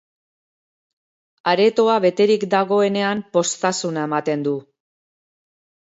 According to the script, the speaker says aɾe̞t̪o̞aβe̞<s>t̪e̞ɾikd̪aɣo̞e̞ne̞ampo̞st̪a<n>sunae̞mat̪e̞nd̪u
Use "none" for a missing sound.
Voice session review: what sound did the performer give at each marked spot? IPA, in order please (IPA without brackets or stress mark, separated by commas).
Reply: none, none